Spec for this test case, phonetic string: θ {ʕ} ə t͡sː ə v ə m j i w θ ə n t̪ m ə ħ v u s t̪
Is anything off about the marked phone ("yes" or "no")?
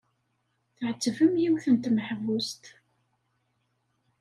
no